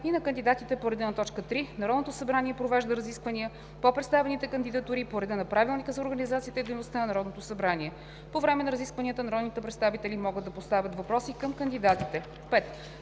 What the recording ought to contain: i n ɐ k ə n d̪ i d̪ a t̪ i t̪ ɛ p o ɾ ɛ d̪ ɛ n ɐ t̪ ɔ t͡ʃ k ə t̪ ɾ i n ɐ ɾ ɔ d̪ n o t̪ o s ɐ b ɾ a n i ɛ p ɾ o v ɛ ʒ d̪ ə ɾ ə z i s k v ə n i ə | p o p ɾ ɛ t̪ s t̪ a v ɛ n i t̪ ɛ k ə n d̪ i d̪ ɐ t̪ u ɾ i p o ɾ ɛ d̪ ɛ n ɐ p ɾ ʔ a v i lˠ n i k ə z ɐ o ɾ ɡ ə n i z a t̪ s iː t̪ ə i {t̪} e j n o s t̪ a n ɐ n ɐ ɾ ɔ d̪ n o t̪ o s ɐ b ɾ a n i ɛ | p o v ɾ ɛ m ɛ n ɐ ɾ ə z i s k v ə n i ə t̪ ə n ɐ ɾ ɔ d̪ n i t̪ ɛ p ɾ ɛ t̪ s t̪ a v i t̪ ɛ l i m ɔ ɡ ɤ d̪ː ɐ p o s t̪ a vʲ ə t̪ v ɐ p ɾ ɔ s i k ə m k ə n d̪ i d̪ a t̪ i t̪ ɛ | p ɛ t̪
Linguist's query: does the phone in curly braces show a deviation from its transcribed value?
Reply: yes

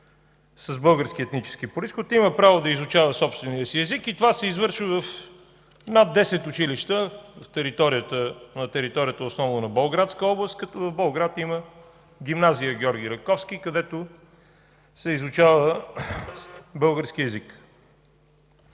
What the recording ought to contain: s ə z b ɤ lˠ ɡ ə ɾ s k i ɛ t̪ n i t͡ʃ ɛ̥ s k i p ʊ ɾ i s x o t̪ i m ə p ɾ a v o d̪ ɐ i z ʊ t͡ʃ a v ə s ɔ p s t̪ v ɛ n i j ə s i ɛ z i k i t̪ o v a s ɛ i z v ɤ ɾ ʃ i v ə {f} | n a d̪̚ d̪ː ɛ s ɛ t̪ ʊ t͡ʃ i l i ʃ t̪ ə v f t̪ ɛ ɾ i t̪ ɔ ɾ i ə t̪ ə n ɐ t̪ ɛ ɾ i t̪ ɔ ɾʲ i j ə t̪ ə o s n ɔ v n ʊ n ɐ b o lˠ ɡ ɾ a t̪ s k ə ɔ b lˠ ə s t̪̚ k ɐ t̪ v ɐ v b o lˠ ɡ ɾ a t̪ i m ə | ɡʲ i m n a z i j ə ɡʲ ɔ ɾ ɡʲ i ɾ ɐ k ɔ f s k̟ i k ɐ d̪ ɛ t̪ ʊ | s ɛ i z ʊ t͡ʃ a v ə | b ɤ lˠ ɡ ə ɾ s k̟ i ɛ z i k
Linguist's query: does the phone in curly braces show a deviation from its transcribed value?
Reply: no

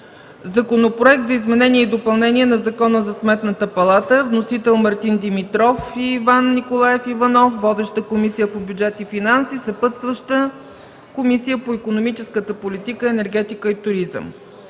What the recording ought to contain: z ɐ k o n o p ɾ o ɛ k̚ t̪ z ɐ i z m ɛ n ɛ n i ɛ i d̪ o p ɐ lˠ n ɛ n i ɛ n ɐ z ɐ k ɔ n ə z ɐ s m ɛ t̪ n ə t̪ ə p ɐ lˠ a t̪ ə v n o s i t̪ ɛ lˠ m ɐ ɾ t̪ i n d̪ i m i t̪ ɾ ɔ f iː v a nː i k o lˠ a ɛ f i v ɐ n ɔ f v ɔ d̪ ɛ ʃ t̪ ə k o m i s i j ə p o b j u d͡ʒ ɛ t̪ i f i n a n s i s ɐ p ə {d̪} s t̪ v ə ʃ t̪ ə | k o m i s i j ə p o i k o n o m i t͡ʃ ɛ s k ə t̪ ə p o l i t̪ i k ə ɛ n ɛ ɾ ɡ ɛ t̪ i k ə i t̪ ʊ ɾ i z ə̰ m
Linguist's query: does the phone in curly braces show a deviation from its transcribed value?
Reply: yes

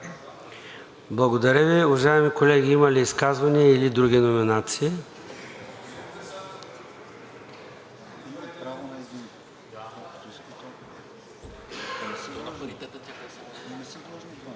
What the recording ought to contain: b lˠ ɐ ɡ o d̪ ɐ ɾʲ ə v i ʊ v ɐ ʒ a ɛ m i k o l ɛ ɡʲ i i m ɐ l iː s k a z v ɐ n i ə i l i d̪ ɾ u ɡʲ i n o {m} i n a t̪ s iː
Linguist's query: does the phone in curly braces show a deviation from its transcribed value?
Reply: no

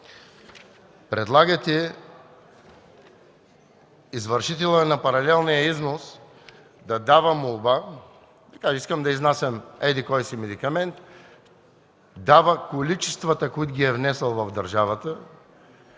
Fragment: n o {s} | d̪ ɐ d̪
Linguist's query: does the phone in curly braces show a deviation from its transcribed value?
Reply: no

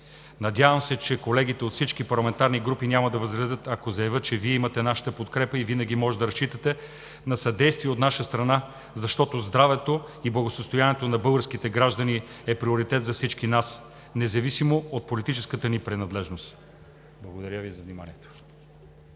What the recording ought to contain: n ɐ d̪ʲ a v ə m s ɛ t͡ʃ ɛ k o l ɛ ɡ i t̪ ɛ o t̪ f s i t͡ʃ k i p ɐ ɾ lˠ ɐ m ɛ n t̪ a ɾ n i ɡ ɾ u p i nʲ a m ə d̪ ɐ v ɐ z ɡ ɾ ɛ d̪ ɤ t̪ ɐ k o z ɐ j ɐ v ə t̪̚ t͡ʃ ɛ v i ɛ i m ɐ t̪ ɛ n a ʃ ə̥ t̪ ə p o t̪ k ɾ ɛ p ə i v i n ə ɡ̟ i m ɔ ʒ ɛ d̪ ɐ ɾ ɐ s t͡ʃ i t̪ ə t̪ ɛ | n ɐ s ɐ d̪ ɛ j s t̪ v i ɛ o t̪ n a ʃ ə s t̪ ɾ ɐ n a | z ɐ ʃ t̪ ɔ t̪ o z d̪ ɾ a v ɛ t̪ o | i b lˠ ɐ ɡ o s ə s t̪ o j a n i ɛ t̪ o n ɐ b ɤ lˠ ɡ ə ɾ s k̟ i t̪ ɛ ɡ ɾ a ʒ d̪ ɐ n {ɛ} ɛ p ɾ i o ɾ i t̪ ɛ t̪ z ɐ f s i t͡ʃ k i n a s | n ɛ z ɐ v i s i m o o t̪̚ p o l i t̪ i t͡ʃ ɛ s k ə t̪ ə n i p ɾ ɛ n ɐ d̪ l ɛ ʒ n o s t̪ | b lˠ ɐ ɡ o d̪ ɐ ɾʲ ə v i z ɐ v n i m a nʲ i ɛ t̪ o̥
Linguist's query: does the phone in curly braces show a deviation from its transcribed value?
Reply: yes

